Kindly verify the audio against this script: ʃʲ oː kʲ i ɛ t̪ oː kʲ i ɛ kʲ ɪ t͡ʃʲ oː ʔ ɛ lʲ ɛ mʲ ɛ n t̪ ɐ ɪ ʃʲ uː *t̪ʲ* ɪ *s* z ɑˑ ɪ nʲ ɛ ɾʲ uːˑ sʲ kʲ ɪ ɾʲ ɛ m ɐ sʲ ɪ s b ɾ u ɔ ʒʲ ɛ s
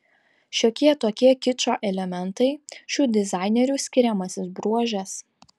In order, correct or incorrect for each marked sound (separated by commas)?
incorrect, incorrect